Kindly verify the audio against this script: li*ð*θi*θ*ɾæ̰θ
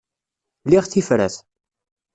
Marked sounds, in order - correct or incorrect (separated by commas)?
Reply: incorrect, incorrect